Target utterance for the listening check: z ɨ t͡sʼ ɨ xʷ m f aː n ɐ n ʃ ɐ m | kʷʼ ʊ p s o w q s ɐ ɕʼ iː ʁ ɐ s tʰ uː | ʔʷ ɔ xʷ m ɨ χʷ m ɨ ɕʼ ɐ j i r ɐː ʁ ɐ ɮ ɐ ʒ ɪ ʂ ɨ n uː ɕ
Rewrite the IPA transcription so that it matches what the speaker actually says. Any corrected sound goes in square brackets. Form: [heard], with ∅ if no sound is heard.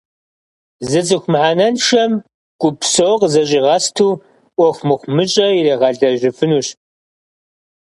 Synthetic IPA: z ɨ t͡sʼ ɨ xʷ m [ħ] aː n ɐ n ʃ ɐ m | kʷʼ ʊ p s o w q [z] ɐ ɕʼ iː ʁ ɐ s tʰ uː | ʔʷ ɔ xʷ m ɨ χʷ m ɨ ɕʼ ɐ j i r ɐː ʁ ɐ ɮ ɐ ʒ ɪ [f] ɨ n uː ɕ